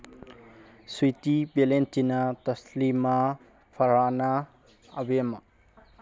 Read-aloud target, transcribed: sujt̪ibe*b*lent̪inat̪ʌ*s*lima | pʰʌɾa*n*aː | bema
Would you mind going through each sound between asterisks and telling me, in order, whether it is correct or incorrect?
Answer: incorrect: none, correct, correct

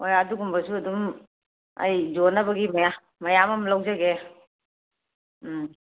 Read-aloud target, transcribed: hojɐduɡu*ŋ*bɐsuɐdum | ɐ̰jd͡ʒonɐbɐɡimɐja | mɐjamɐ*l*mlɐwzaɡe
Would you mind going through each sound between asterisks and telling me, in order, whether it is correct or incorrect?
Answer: incorrect: m, incorrect: none

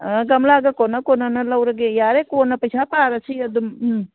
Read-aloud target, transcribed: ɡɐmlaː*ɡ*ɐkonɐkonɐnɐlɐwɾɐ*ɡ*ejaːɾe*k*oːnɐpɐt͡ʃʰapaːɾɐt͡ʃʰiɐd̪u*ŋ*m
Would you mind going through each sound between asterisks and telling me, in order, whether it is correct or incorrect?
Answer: correct, correct, correct, incorrect: m

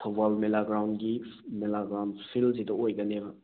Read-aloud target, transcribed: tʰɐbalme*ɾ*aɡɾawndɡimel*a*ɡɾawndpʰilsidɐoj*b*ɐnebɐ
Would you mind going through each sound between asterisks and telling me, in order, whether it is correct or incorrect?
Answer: incorrect: l, correct, incorrect: ɡ

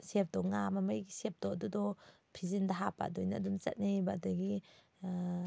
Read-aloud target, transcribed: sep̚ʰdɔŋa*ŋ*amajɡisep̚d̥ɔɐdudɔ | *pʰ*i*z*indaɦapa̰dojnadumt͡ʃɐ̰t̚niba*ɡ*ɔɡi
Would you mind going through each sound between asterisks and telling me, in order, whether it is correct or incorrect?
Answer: incorrect: m, correct, correct, incorrect: d

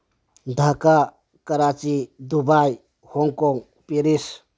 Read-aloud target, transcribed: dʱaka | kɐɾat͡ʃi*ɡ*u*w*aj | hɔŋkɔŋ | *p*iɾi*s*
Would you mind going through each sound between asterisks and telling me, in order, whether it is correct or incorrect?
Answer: incorrect: d, incorrect: b, correct, correct

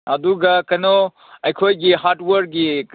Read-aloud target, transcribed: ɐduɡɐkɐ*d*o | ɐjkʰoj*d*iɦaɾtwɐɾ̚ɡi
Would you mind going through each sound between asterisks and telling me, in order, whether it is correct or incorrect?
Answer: incorrect: n, incorrect: ɡ

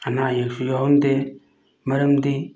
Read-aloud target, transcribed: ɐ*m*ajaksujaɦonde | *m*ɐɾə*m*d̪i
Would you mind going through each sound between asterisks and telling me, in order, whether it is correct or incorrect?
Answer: incorrect: n, correct, correct

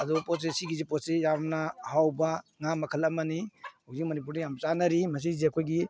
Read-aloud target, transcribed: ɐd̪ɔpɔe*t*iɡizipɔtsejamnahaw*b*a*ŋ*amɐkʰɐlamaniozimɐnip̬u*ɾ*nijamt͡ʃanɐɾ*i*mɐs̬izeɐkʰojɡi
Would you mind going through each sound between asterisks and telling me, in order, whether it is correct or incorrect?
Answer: incorrect: s, correct, correct, correct, correct

